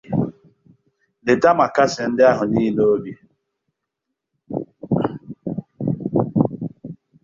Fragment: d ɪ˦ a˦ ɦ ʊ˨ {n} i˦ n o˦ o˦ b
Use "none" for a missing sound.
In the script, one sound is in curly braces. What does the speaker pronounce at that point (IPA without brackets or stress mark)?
n